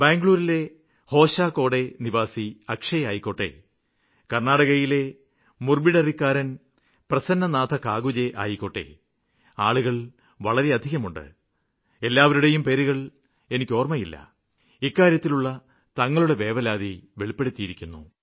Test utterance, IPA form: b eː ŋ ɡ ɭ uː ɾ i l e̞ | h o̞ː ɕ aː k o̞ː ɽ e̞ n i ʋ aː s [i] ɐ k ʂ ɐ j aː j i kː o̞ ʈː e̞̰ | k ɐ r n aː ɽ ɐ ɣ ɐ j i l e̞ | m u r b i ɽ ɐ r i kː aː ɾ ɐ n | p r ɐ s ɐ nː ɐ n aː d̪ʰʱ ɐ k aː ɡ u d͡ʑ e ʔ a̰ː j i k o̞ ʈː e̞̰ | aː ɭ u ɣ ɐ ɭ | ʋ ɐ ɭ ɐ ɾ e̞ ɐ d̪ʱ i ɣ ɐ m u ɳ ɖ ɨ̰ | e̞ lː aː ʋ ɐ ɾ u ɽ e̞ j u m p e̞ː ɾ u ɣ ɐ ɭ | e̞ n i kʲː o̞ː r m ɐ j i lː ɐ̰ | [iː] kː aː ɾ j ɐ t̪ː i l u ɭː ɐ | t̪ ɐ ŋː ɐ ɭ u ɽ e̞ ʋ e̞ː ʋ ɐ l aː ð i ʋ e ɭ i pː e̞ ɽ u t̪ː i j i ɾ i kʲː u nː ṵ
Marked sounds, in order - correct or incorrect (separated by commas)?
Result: correct, incorrect